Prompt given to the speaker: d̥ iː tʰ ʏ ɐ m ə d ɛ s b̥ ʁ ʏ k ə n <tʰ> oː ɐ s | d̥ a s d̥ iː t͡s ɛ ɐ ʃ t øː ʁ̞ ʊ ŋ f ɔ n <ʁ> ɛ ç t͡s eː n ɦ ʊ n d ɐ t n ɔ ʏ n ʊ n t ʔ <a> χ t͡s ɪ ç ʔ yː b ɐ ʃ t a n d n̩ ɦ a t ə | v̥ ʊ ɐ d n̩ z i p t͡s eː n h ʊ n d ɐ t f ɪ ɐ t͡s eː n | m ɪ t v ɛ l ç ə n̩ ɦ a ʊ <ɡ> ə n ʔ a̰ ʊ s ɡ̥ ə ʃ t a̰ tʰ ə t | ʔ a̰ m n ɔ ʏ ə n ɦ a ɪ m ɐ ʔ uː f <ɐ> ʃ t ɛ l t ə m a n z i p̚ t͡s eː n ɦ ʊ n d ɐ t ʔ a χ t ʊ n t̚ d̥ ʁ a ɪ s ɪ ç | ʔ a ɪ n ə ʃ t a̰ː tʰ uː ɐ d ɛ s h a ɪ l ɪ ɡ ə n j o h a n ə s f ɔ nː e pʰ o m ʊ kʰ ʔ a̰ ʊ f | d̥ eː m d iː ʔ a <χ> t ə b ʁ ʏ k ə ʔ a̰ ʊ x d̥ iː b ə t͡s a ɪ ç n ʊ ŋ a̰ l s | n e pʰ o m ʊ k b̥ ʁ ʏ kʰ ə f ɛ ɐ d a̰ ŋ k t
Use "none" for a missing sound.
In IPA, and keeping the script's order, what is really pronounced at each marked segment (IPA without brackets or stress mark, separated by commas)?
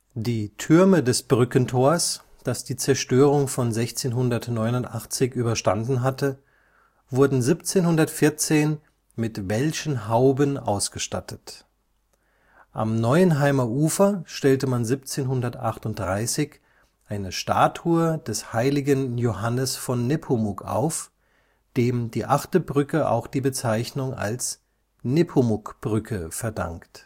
tʰ, z, a, b, ɐ, χ